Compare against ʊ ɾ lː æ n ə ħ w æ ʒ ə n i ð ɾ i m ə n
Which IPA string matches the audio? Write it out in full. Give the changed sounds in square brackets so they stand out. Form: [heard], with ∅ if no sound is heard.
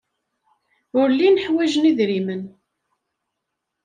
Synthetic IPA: ʊ ɾ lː [i] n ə ħ w æ ʒ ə n i ð ɾ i m ə n